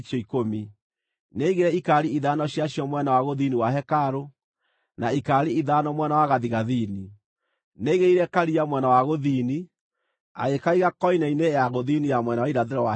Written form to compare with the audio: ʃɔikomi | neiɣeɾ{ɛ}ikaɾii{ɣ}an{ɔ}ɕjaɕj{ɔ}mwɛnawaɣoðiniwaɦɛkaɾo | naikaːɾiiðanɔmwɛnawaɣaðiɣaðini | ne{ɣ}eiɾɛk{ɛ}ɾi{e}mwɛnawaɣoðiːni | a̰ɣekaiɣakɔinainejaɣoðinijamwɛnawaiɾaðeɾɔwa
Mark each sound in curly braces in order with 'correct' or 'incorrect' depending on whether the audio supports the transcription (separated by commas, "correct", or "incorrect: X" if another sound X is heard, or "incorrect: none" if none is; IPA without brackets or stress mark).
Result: correct, incorrect: ð, correct, correct, correct, incorrect: a, incorrect: a